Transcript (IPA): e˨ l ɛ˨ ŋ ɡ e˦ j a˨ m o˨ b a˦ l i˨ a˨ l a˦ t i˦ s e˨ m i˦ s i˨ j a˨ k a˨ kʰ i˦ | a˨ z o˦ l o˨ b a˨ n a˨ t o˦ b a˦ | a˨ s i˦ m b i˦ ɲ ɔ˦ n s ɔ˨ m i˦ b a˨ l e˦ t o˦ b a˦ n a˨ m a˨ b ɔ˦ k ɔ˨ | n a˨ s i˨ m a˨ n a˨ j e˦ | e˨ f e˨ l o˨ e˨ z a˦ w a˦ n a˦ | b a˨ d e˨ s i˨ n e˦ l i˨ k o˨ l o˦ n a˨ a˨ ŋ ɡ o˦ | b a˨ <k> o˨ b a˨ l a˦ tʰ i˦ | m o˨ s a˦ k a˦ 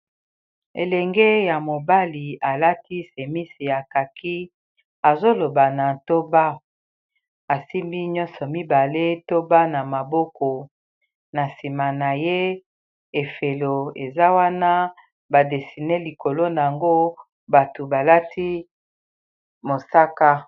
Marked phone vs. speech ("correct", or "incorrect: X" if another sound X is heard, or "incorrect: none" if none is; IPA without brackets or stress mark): incorrect: t